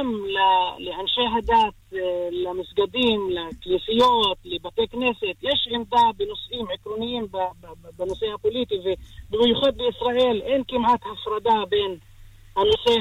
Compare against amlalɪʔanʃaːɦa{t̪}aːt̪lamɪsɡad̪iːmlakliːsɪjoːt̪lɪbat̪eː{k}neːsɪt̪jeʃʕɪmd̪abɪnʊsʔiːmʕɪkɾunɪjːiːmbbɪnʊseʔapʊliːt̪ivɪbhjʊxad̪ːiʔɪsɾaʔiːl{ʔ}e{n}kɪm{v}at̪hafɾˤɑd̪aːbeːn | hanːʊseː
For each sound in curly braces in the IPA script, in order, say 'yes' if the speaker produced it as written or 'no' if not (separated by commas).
no, yes, yes, yes, no